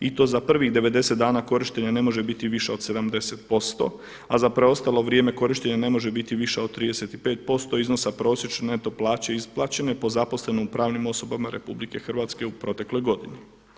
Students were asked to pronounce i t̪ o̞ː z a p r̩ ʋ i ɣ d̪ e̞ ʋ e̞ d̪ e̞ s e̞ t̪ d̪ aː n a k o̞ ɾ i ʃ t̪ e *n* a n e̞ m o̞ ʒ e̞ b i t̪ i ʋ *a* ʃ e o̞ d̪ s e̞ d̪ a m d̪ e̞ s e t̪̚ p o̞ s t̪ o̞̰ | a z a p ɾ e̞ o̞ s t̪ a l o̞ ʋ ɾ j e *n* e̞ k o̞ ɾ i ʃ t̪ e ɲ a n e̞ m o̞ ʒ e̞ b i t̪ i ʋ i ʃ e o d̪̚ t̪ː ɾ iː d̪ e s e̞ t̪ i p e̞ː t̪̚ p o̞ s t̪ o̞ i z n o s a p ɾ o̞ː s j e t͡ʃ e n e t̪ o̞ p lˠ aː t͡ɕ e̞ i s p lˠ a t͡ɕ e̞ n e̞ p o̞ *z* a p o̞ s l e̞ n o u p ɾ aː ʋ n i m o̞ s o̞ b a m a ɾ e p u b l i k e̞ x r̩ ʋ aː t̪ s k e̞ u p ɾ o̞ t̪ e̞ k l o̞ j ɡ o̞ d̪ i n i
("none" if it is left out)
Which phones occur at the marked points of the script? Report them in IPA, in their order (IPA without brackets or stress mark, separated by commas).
ɲ, i, m, z